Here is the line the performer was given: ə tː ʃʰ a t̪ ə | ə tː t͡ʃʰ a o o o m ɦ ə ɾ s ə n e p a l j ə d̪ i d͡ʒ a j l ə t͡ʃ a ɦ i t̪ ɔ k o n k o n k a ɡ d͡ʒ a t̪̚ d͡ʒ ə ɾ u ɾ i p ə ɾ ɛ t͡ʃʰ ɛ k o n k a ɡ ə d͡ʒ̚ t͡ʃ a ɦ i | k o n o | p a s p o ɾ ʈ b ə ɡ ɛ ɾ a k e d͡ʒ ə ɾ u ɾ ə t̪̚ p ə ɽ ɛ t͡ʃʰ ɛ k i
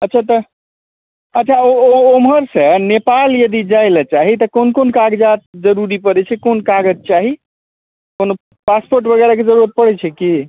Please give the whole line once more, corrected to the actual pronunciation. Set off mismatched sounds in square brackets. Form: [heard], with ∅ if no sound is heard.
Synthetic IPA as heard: ə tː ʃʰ a t̪ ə | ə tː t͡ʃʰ a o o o m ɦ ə ɾ s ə n e p a l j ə d̪ i d͡ʒ a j l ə t͡ʃ a ɦ i t̪ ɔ k o n k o n k a ɡ d͡ʒ a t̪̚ d͡ʒ ə ɾ u ɾ i p ə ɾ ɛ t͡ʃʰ ɛ k o n k a ɡ ə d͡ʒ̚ t͡ʃ a ɦ i | k o n o | p a s p o ɾ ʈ b ə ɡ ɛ ɾ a k e d͡ʒ ə ɾ u ɾ ə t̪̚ p ə ɽ ɛ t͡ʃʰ ɛ k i